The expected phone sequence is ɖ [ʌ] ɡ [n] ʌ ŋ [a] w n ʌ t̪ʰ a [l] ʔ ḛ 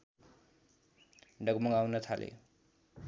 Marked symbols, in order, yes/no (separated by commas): yes, no, yes, yes